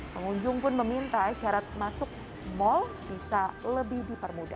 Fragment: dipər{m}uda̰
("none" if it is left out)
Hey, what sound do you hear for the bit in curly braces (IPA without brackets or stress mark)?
m